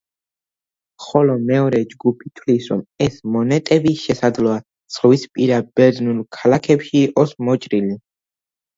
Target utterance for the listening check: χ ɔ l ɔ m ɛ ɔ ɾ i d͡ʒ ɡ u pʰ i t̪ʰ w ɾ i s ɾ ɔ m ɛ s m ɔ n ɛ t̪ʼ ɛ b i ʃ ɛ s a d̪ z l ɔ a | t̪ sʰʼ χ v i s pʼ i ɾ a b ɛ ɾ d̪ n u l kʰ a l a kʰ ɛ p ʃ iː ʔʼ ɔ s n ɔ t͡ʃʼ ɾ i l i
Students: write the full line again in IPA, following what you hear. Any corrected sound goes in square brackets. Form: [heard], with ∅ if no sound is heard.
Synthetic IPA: χ ɔ l ɔ m ɛ ɔ ɾ [ɛ] d͡ʒ ɡ u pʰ i t̪ʰ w [l] i s ɾ ɔ m ɛ s m ɔ n ɛ t̪ʼ ɛ b i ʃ ɛ s a d̪ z l ɔ a | t̪ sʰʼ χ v i s pʼ i ɾ a b ɛ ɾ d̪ n u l kʰ a l a kʰ ɛ p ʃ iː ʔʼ ɔ s [m] ɔ t͡ʃʼ ɾ i l i